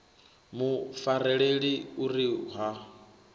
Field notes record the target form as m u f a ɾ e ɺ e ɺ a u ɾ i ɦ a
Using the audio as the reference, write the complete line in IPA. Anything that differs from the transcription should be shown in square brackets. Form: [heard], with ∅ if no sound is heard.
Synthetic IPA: m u f a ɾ [ɛ] ɺ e ɺ [i] u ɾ i ɦ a